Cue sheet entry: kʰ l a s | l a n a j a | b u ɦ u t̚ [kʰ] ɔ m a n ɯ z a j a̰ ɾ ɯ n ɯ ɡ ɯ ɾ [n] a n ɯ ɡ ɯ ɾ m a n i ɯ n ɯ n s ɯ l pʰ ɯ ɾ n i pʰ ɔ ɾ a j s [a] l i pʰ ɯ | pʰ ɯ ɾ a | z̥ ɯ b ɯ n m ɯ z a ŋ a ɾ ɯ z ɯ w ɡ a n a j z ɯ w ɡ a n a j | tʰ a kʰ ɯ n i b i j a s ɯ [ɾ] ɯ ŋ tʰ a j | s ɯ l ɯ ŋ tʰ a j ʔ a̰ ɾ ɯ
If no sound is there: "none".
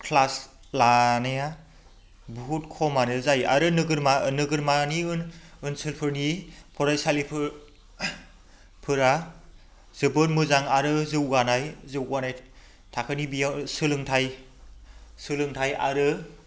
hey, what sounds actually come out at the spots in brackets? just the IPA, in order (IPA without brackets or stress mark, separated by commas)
kʰ, m, a, l